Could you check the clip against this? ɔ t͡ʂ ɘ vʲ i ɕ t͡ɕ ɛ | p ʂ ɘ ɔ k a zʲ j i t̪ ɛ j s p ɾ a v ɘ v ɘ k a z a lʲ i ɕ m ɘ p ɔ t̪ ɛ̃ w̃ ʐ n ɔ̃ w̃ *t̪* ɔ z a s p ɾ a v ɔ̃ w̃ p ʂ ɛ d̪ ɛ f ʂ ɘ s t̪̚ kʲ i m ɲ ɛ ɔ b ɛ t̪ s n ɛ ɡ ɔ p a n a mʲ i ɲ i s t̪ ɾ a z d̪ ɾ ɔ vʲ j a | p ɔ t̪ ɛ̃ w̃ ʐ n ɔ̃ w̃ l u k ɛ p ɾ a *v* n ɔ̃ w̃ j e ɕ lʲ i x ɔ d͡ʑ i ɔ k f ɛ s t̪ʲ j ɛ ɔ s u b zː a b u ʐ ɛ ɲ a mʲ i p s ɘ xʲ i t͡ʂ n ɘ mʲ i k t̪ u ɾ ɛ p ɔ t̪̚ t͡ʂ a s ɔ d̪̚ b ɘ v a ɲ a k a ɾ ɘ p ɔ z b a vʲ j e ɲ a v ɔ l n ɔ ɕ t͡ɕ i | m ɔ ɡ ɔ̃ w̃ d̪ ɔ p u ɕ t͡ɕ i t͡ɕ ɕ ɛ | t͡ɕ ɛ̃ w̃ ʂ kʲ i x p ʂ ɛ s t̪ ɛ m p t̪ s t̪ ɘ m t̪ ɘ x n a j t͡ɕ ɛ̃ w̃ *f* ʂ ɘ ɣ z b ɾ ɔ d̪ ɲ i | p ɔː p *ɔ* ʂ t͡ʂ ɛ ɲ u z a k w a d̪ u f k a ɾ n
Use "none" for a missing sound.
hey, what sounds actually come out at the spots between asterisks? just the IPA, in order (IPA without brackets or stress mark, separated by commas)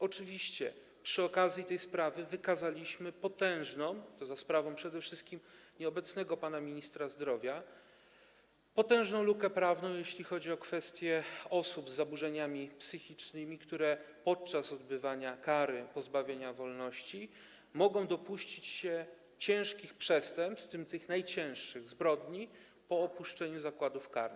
t̪, v, ʂ, u